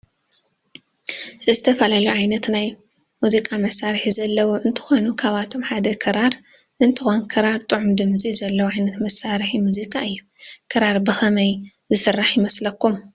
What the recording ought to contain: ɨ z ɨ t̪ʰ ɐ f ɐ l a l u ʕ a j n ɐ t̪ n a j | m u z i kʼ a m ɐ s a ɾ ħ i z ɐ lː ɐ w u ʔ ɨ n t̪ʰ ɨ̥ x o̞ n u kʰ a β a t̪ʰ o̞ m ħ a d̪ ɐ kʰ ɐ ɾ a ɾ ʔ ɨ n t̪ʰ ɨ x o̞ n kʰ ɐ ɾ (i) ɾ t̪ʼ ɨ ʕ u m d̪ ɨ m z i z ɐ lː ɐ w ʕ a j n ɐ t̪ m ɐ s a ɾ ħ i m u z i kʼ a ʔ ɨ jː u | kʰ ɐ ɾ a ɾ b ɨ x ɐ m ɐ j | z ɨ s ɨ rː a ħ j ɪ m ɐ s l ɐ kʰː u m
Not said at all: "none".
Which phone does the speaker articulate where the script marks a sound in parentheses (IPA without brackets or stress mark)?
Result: a